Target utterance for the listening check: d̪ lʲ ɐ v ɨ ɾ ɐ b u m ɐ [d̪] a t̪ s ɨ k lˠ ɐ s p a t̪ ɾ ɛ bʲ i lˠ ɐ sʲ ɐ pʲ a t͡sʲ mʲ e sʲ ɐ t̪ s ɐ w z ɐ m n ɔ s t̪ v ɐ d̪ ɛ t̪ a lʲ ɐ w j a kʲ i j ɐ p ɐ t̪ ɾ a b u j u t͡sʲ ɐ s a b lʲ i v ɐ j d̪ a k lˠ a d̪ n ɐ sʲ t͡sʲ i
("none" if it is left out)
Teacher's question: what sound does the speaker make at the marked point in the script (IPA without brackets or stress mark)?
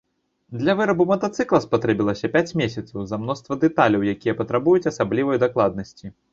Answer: t̪